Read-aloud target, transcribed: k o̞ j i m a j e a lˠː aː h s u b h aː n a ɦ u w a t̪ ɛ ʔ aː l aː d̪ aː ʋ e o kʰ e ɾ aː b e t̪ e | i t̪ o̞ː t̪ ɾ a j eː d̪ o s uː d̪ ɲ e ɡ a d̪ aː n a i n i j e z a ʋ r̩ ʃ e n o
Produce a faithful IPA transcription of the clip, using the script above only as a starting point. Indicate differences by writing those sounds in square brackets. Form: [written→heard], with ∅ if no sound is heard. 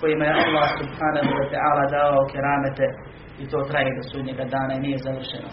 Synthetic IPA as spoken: k o̞ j i m a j e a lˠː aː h s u b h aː n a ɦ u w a t̪ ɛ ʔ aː l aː d̪ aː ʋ [e→a] o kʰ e ɾ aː [b→m] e t̪ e | i t̪ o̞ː t̪ ɾ a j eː d̪ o s uː d̪ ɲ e ɡ a d̪ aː n a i n i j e z a ʋ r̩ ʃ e n o